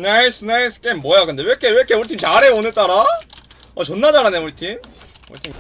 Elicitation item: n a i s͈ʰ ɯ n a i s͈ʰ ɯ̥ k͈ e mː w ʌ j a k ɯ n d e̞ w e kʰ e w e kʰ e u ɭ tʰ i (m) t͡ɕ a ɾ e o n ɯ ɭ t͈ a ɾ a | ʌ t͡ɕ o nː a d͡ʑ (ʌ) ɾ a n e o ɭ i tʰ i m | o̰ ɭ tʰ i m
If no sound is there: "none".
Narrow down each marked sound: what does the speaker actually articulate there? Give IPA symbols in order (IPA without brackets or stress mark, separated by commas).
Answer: m, a